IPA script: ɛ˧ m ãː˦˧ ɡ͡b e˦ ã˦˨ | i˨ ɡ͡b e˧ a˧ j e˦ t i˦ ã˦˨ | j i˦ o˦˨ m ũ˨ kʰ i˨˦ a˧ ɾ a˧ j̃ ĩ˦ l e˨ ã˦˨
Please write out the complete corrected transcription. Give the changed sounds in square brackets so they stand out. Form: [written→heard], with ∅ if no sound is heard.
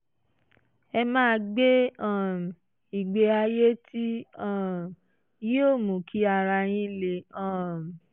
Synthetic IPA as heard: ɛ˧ m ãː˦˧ ɡ͡b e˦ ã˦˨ | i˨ ɡ͡b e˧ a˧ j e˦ t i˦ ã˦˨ | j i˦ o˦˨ m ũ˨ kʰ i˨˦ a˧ ɾ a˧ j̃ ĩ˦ l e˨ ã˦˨

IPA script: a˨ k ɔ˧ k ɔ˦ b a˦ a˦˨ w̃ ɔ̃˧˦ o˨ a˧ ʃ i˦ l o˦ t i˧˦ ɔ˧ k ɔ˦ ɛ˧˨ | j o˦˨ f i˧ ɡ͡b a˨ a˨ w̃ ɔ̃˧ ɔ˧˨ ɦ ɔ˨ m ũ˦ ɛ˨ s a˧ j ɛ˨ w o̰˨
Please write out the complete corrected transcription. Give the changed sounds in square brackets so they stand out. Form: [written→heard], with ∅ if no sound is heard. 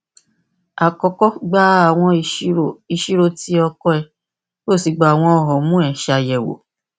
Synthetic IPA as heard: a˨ k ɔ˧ k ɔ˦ [b→ɡ͡b] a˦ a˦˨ w̃ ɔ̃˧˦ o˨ [a˧→i˧] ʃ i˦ [l→ɾ] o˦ t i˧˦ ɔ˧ k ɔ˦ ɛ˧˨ | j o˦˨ [f→s] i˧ ɡ͡b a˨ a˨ w̃ ɔ̃˧ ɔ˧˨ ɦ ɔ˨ m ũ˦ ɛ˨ [s→ʃ] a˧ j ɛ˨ w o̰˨

